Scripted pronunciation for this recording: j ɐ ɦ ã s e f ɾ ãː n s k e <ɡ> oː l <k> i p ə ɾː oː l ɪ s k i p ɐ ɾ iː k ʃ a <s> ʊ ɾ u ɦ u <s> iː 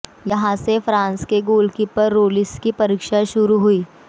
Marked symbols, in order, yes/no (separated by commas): yes, yes, no, no